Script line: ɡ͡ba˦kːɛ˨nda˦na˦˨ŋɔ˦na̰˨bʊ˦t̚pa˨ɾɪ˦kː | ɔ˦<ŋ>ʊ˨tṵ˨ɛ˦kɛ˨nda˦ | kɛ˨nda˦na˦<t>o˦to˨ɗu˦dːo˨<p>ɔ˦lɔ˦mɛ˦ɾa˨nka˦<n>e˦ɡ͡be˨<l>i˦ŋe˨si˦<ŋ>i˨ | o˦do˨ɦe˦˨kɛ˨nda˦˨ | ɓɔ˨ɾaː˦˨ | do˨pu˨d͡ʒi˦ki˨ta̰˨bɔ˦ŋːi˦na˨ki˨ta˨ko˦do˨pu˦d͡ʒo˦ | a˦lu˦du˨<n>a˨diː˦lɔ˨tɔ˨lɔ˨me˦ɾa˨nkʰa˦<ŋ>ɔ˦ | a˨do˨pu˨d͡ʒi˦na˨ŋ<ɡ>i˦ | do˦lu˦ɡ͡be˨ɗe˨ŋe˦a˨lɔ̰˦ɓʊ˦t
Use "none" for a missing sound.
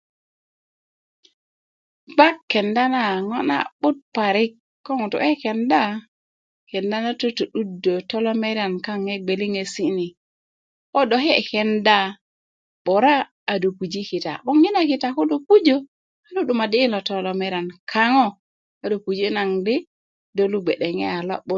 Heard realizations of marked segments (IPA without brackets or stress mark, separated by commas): ŋ, t, t, ŋ, l, n, m, ŋ, d